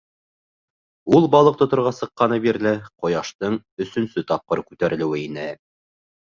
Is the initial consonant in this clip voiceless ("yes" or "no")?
no